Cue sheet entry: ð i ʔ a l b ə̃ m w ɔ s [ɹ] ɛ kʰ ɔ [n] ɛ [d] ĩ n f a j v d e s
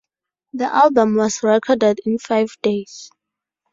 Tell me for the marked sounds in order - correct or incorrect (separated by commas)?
correct, incorrect, correct